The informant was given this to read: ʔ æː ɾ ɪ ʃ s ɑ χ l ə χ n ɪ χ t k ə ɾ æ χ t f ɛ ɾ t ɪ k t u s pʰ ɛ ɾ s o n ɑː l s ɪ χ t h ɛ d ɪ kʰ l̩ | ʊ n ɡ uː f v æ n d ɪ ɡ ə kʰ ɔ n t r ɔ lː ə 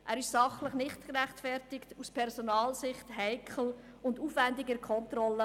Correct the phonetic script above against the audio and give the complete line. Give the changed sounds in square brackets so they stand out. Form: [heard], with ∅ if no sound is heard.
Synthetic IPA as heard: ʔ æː ɾ ɪ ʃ s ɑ χ l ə χ n ɪ χ t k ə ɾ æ χ t f ɛ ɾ t ɪ k t u s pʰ ɛ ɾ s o n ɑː l s ɪ χ t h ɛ [∅] ɪ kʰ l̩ | ʊ n [d] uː f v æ n d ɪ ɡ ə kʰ ɔ n t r ɔ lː ə